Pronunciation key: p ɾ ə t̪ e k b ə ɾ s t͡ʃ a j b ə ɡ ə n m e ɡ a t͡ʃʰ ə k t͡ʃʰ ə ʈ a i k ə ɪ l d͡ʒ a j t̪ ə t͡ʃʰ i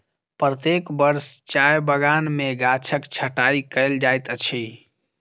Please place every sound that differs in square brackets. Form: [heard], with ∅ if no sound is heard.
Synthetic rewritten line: p ɾ ə t̪ e k b ə ɾ s t͡ʃ a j b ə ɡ [a] n m e ɡ a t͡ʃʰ ə k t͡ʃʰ ə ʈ a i k ə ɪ l d͡ʒ a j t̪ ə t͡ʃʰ i